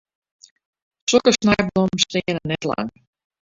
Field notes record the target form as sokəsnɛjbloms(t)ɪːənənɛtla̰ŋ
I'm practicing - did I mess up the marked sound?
no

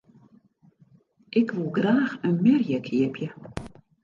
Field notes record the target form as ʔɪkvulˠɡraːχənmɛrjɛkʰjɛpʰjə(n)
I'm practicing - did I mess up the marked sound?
yes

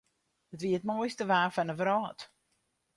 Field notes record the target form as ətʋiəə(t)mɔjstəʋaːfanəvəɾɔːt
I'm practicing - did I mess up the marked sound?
no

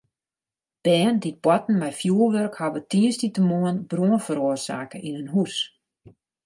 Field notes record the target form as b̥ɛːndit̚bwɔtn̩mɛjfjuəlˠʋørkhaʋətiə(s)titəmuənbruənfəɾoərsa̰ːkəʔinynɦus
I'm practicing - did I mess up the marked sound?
no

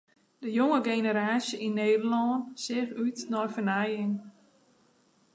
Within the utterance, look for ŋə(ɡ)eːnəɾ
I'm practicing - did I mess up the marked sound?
no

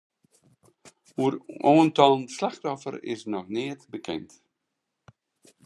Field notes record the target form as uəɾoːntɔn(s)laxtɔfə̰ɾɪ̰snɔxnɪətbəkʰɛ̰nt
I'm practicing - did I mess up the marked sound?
no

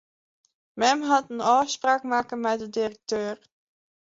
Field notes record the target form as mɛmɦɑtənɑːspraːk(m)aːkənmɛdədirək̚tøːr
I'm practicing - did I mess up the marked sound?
no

